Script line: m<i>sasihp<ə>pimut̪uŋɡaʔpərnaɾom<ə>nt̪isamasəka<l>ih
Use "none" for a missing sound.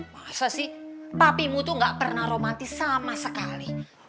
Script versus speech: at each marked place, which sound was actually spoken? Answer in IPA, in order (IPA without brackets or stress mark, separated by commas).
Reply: a, a, a, l